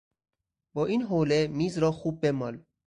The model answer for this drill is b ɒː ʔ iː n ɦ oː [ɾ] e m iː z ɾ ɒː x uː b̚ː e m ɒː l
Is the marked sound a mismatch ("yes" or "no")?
yes